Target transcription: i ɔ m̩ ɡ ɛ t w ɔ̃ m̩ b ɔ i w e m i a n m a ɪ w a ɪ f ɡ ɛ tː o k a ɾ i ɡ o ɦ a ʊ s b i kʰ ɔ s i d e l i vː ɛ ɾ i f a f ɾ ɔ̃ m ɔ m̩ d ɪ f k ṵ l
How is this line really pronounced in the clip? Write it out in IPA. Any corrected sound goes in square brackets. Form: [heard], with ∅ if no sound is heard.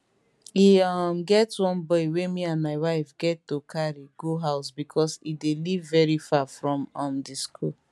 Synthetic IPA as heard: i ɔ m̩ ɡ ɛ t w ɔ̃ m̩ b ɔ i w e m i a n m a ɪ w a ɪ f ɡ ɛ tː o k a ɾ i ɡ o ɦ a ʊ s b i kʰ ɔ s i d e l i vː ɛ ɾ i f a f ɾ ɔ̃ m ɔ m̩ d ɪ [s] k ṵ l